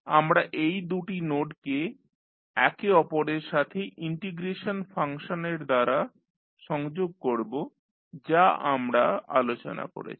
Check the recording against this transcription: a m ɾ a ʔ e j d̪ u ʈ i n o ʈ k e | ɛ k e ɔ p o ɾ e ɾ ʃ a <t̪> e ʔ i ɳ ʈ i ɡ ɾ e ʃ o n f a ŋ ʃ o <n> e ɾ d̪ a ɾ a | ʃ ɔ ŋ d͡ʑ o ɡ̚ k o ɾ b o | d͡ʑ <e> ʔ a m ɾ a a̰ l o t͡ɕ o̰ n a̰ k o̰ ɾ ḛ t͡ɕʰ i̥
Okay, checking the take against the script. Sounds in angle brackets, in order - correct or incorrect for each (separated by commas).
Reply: incorrect, correct, incorrect